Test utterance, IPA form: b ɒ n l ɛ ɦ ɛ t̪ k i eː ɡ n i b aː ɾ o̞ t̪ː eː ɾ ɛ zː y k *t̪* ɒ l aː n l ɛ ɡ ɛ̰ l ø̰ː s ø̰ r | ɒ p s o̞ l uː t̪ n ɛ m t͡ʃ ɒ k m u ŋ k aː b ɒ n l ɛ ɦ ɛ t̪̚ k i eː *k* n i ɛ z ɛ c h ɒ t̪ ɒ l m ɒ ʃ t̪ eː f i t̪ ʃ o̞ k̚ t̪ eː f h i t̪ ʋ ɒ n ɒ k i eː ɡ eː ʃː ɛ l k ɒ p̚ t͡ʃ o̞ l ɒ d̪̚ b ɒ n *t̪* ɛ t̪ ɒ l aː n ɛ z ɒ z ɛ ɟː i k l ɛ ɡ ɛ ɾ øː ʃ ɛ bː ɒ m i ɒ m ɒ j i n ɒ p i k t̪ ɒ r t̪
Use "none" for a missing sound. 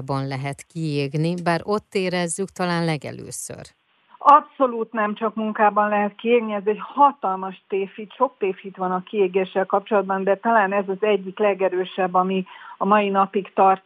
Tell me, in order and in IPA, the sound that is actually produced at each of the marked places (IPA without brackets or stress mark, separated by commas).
t̪, ɡ, d̪